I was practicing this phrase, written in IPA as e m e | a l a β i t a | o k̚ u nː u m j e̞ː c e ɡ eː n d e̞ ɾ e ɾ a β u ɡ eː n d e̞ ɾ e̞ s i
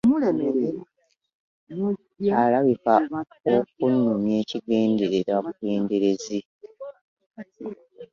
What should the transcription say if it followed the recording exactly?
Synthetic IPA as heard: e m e | a l a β i k a | o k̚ u nː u m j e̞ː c i ɡ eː n d e̞ ɾ e ɾ a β u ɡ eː n d e̞ ɾ e̞ z i